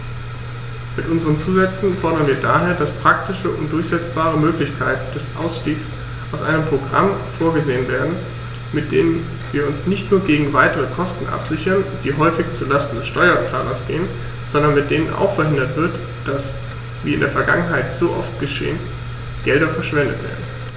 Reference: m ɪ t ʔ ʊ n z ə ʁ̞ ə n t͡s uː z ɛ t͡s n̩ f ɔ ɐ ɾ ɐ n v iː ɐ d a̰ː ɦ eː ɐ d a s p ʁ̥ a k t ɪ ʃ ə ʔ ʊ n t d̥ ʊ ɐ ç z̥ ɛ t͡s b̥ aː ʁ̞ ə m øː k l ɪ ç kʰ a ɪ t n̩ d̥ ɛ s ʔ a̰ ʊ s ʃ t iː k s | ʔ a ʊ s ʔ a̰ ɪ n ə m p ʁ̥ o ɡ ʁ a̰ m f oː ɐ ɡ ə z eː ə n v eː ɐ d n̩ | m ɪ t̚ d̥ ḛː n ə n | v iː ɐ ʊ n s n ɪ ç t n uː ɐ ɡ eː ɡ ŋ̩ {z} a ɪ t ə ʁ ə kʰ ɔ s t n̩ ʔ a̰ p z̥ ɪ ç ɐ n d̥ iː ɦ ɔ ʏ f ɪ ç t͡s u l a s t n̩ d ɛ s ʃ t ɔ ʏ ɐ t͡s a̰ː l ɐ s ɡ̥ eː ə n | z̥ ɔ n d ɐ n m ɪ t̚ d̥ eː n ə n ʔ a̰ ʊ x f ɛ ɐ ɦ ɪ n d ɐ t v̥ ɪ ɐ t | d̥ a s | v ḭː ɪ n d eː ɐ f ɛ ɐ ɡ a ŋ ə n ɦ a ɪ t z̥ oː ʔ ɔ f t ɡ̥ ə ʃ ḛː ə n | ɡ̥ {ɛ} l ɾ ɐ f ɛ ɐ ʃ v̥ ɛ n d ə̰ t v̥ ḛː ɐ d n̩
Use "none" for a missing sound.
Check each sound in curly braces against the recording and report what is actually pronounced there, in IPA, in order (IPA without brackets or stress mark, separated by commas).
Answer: v, ɛ